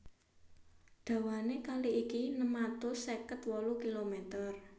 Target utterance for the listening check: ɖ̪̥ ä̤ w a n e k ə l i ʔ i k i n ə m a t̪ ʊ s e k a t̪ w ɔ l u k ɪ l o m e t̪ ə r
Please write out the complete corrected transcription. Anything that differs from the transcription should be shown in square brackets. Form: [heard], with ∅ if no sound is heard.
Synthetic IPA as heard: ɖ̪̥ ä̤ w a n e k [a] l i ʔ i k i n ə m a t̪ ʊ s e k [ə] t̪ w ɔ l u k [i] l o m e t̪ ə r

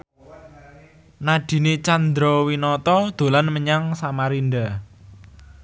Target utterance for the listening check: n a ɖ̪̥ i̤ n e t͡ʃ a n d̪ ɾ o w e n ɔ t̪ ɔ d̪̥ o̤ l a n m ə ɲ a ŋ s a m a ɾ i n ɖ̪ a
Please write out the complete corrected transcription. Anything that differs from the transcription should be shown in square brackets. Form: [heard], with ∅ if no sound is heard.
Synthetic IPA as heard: n a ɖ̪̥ i̤ n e t͡ʃ a n d̪ ɾ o w [i] n ɔ t̪ ɔ d̪̥ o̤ l a n m ə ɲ a ŋ s a m a ɾ i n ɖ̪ a

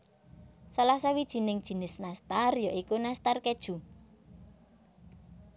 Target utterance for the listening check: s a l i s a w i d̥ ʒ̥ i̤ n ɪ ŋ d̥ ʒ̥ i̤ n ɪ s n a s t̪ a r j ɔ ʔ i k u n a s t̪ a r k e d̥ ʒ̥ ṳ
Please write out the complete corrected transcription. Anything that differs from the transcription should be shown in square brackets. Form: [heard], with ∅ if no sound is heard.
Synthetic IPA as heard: s a l [a] s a w i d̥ ʒ̥ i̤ n ɪ ŋ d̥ ʒ̥ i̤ n ɪ s n a s t̪ a r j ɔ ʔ i k u n a s t̪ a r k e d̥ ʒ̥ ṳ

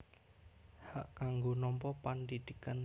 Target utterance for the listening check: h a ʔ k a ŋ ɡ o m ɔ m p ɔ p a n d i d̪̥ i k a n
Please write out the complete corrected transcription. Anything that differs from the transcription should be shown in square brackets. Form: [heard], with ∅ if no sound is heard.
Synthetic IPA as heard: h a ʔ k a ŋ ɡ o [n] ɔ m p ɔ p a n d i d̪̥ i k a n

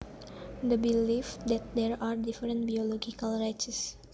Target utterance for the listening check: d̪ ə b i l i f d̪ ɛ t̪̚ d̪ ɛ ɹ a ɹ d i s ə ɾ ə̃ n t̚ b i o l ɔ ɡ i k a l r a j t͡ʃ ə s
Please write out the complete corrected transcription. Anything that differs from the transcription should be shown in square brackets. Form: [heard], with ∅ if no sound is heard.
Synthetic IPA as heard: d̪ ə b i l i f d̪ ɛ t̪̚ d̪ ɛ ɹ a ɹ d i [f] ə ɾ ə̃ n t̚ b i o l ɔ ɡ i k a l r a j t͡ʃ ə s

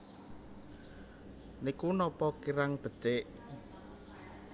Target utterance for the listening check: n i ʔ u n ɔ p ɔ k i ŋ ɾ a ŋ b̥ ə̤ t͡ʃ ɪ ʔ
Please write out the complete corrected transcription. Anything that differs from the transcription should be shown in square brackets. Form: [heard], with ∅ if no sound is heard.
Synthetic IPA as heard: n i [k] u n ɔ p ɔ k i [∅] ɾ a ŋ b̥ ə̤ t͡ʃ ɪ ʔ

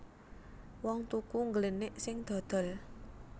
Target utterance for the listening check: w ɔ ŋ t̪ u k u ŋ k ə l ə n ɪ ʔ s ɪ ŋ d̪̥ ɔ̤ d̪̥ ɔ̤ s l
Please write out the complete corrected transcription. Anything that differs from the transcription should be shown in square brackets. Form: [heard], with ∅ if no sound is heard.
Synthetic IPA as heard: w ɔ ŋ t̪ u k u ŋ [ɡ] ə l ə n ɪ ʔ s ɪ ŋ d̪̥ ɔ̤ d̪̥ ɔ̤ [∅] l

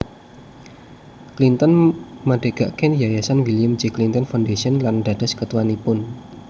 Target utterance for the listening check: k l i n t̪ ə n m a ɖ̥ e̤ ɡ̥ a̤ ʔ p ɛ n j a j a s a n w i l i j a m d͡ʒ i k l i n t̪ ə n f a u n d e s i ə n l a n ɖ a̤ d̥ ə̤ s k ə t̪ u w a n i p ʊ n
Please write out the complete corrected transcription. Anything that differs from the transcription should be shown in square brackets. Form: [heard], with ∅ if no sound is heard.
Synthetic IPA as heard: k l i n t̪ ə n m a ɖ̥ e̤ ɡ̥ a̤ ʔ [k] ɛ n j a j a s a n w i l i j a m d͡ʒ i k l i n t̪ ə n f a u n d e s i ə n l a n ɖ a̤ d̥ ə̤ s k ə t̪ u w a n i p ʊ n

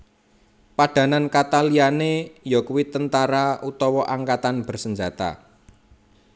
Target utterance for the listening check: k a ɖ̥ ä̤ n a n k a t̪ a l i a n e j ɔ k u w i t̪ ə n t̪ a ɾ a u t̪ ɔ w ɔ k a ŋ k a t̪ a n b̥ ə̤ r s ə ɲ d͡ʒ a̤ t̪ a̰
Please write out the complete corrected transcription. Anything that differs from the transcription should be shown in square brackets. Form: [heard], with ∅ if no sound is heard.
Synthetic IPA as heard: [p] a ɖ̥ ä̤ n a n k a t̪ a l i a n e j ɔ k u w i t̪ ə n t̪ a ɾ a u t̪ ɔ w ɔ [ʔ] a ŋ k a t̪ a n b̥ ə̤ r s ə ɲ d͡ʒ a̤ t̪ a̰

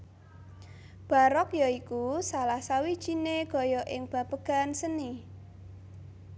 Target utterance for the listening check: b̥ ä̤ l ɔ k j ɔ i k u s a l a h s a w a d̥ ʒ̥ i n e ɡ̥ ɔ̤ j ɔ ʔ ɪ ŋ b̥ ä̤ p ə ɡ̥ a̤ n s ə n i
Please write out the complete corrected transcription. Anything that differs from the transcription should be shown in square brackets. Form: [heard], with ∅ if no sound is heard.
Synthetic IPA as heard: b̥ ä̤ [ɾ] ɔ k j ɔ i k u s a l a h s a w [i] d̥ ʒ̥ i n e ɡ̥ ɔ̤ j ɔ ʔ ɪ ŋ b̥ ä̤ p ə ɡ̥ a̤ n s ə n i

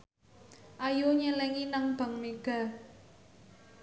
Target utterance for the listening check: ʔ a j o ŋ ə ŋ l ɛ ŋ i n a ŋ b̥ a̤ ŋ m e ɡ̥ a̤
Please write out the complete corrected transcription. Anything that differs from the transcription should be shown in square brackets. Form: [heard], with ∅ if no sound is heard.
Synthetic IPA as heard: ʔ a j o [ɲ] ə [∅] l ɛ ŋ i n a ŋ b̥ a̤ ŋ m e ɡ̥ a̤

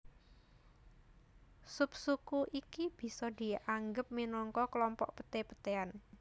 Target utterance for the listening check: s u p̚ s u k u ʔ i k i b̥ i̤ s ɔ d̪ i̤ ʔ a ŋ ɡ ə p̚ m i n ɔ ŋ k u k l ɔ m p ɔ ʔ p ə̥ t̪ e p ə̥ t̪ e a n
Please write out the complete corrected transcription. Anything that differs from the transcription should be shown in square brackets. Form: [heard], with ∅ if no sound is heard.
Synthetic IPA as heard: s u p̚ s u k u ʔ i k i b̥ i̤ s ɔ d̪ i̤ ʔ a ŋ ɡ ə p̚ m i n ɔ ŋ k [ɔ] k l ɔ m p ɔ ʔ p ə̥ t̪ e p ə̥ t̪ e a n

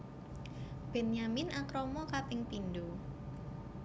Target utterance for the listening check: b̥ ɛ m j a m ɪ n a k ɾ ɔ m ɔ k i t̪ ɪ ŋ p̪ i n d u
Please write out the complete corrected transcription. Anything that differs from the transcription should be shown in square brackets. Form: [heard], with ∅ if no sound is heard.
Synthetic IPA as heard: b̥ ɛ [n] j a m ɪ n a k ɾ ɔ m ɔ k [a] t̪ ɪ ŋ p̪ i n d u

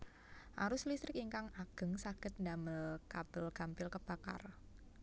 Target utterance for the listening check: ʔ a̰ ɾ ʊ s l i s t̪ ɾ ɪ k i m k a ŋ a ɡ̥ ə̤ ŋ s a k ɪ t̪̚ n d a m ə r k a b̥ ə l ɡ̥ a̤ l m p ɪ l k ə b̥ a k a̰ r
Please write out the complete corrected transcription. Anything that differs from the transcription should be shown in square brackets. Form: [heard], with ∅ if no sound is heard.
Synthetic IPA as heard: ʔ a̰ ɾ ʊ s l i s t̪ ɾ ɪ k i [ŋ] k a ŋ a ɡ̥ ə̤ ŋ s a k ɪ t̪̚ n d a m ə [l] k a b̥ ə l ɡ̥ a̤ [∅] m p ɪ l k ə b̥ a k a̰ r

